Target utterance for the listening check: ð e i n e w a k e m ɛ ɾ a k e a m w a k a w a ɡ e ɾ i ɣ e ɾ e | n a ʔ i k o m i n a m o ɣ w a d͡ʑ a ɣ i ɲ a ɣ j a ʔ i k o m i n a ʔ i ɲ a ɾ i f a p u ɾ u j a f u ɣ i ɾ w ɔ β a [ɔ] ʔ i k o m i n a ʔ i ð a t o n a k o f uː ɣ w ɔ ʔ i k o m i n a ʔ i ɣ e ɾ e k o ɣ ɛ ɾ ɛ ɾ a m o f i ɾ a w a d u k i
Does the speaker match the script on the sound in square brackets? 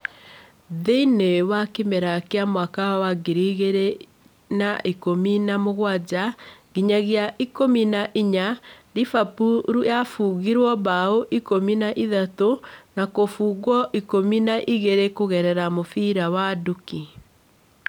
no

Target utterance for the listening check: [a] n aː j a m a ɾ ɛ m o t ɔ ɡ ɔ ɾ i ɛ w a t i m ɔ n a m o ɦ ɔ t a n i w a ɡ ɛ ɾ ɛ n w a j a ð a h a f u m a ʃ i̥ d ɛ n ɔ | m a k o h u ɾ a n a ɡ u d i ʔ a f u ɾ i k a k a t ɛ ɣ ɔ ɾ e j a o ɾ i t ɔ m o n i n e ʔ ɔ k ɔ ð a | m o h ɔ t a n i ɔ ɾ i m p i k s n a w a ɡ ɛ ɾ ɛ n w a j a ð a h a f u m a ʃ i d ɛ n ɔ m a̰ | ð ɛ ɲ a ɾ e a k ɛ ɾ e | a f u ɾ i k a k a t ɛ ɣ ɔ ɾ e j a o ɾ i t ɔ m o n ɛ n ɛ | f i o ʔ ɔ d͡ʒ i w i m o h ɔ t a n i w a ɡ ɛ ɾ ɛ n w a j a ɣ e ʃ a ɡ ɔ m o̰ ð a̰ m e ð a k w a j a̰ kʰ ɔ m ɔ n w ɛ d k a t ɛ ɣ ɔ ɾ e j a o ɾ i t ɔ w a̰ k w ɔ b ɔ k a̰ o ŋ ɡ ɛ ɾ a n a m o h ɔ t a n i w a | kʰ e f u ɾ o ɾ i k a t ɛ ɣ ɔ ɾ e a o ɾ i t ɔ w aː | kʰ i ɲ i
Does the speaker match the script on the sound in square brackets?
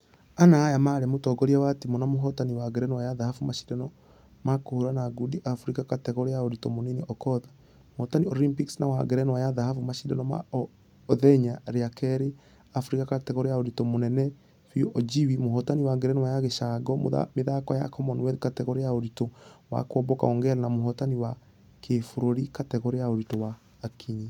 yes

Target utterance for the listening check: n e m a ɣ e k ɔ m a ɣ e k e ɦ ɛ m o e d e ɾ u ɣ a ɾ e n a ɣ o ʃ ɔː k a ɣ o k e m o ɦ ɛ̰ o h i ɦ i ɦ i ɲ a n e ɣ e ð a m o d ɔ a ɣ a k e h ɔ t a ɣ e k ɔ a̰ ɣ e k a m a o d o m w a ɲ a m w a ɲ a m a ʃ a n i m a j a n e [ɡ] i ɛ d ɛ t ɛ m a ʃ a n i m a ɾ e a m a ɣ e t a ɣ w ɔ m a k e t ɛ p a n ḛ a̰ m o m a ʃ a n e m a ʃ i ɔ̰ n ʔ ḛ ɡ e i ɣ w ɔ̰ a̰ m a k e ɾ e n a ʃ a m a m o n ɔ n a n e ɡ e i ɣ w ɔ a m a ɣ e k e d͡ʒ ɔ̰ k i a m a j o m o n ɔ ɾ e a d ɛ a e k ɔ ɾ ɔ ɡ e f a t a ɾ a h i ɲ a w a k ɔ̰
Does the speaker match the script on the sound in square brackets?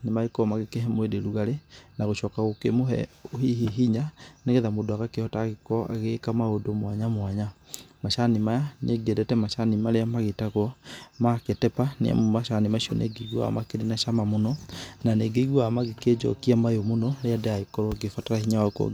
yes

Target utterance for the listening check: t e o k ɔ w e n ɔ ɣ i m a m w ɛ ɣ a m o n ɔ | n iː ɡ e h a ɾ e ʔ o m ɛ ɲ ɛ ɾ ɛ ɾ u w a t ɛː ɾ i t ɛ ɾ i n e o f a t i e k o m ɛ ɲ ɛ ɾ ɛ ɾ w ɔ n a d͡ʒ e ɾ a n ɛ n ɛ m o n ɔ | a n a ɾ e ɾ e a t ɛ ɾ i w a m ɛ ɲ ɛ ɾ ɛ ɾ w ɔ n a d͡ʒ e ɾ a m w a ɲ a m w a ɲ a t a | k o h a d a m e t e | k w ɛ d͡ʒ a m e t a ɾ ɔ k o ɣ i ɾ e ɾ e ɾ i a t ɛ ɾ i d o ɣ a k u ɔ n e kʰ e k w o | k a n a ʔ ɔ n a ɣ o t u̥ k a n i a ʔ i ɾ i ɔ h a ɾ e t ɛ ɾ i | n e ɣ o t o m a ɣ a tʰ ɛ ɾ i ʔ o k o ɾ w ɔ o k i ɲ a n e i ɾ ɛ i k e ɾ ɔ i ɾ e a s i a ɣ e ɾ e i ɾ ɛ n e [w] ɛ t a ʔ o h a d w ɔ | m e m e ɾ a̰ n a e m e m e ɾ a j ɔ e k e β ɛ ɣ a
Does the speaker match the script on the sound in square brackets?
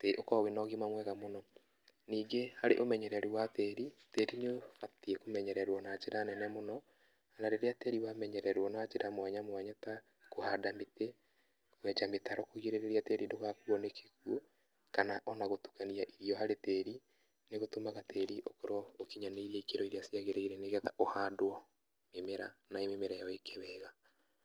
no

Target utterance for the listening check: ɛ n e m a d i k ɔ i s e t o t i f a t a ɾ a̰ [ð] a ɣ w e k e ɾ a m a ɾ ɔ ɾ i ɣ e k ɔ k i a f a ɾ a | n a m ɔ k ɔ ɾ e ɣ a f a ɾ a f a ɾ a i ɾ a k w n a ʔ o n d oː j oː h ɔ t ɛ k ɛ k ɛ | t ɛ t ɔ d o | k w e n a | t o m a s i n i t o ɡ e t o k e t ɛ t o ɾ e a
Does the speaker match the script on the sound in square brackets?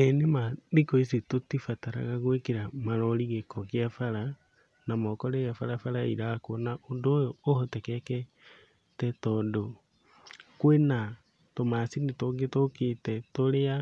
no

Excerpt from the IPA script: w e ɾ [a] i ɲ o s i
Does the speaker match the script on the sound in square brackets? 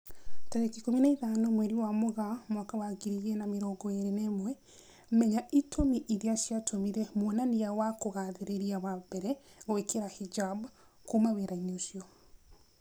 yes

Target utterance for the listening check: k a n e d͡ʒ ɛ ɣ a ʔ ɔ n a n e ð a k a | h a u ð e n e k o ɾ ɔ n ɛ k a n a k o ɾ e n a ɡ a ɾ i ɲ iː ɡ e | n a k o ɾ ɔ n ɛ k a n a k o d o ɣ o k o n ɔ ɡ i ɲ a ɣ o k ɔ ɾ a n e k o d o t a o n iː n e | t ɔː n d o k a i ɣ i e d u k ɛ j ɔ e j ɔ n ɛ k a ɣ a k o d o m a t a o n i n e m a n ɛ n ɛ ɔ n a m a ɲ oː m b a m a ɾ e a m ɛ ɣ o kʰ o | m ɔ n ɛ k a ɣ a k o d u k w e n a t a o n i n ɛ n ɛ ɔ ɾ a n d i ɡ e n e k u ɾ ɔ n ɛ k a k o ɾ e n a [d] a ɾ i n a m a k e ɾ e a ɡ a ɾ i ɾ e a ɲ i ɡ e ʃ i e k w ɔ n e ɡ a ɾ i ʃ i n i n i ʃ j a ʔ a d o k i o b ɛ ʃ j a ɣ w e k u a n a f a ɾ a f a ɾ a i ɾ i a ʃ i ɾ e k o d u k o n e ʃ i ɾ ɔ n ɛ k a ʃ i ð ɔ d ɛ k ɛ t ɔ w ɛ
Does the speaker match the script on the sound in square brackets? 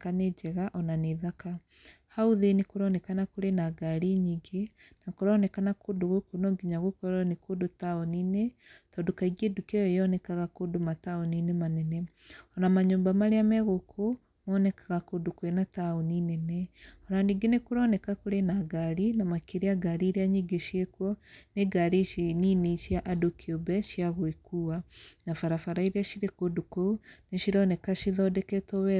no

